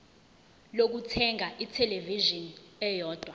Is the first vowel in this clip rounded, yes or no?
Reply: yes